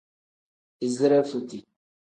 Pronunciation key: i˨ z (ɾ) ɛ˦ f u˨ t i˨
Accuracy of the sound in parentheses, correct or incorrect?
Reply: correct